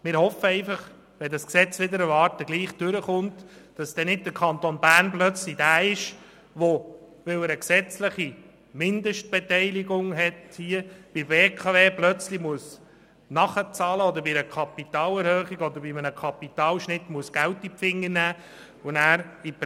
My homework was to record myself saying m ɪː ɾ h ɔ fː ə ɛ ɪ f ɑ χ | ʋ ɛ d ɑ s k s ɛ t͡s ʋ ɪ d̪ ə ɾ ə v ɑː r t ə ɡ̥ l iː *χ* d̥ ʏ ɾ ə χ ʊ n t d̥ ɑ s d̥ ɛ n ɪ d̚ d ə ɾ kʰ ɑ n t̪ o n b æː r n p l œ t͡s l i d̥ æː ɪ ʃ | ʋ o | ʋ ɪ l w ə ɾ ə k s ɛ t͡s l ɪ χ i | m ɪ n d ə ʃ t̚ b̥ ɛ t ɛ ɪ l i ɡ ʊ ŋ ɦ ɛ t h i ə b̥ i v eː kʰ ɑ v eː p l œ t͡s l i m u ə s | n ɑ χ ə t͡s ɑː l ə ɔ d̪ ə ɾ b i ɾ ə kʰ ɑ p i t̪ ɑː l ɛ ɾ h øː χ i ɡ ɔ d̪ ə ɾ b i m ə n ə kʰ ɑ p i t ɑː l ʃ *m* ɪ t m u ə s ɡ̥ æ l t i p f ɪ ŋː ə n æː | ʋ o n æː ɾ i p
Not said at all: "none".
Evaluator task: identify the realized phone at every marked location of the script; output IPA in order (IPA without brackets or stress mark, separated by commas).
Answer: χ, n